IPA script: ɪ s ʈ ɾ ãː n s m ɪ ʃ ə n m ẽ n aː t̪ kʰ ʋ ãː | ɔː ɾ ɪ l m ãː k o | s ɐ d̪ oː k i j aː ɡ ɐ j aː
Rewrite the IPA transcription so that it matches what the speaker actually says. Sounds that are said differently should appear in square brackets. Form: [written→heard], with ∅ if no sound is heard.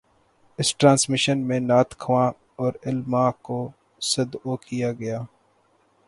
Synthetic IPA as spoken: ɪ s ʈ ɾ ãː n s m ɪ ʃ ə n m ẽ n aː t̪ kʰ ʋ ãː | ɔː ɾ ɪ l m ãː k o | s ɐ d̪ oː k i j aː ɡ ɐ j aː